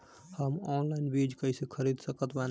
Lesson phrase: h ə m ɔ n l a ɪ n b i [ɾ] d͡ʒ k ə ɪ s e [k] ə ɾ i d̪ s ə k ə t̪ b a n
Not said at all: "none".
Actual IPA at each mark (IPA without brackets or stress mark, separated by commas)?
none, kʰ